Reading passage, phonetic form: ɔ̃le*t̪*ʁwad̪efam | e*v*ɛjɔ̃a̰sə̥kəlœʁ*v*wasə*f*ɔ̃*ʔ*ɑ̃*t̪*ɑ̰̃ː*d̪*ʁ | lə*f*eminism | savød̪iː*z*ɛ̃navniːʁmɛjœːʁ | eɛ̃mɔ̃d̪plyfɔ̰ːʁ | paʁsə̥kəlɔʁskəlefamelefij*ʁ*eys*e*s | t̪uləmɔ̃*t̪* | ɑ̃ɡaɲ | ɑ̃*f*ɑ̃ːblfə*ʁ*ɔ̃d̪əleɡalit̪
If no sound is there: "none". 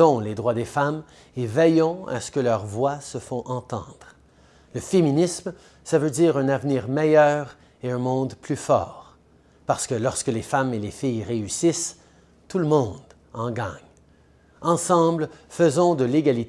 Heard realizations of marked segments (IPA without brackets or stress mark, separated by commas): d̪, v, v, f, ʔ, t̪, d̪, f, ʁ, ʁ, i, d̪, s, z